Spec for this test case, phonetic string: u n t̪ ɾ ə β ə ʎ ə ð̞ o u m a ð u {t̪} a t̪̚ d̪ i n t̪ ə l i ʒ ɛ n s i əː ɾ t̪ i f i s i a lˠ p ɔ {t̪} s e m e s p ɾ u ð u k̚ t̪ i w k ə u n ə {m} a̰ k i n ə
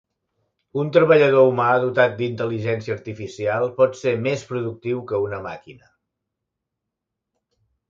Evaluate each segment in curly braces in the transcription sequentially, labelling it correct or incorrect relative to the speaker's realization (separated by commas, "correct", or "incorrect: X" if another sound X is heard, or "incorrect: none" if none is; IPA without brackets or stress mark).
correct, correct, correct